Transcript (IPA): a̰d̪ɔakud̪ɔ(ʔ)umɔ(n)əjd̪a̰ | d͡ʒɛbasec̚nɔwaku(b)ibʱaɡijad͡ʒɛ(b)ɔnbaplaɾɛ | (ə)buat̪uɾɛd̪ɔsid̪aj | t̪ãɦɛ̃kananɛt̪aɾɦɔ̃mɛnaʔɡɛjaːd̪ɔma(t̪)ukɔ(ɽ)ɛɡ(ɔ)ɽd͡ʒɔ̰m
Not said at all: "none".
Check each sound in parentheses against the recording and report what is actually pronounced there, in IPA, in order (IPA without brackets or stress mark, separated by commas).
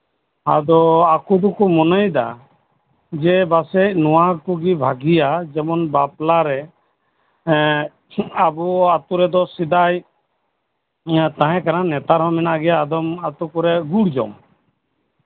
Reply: k, n, ɡ, m, a, t̪, ɾ, u